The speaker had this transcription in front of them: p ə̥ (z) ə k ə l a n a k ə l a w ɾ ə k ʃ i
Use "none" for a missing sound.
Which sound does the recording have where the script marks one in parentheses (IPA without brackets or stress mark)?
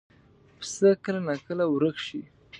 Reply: s